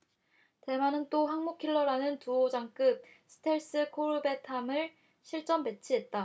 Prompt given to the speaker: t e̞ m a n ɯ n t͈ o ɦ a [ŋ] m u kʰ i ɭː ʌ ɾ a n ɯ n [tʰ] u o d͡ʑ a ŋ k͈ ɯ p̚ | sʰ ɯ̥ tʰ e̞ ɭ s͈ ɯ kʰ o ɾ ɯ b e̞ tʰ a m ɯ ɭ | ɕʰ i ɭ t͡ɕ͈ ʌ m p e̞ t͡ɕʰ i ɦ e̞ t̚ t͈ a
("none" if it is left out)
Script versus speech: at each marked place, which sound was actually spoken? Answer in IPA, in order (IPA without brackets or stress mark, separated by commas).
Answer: ŋ, t